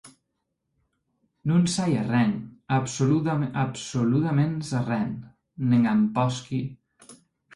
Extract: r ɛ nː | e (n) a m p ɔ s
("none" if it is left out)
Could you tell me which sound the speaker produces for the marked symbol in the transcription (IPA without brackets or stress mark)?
ŋ